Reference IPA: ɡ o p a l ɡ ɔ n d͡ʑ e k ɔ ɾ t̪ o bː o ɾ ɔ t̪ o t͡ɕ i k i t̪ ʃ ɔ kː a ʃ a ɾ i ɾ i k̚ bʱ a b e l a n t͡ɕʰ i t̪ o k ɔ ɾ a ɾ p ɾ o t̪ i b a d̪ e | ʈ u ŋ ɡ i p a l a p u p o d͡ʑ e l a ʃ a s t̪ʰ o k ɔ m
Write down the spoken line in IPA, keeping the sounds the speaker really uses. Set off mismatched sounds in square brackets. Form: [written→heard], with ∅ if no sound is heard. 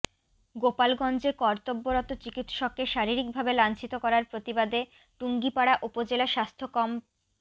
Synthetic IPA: ɡ o p a l ɡ ɔ n d͡ʑ e k ɔ ɾ t̪ o bː o ɾ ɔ t̪ o t͡ɕ i k i t̪ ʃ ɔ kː [a→e] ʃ a ɾ i ɾ i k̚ bʱ a b e l a n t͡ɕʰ i t̪ o k ɔ ɾ a ɾ p ɾ o t̪ i b a d̪ e | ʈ u ŋ ɡ i p a [l→ɽ] a [p→ʔ] u p o d͡ʑ e l a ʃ a s t̪ʰ o k ɔ m